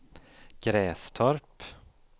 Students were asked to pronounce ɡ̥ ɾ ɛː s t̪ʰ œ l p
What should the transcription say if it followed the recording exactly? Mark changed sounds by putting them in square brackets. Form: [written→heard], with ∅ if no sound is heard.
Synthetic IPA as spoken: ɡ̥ ɾ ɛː s t̪ʰ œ [l→ɾ] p